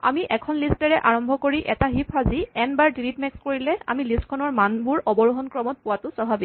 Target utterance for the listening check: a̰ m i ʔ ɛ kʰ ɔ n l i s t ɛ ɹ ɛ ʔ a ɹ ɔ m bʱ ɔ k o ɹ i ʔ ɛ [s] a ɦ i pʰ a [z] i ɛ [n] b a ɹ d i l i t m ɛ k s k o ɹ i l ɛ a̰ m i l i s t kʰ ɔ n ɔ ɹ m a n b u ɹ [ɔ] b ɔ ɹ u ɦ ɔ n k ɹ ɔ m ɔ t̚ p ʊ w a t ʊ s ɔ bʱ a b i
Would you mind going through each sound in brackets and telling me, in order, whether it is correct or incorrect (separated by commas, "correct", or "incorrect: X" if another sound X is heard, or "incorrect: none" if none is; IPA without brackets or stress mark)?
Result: incorrect: t, correct, correct, correct